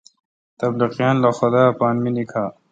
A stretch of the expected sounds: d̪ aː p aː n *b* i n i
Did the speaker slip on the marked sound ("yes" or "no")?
yes